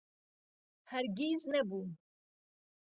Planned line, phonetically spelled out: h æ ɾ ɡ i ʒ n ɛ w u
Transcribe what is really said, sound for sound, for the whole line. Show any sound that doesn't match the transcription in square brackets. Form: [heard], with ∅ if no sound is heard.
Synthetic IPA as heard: h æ ɾ ɡ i [z] n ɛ [b] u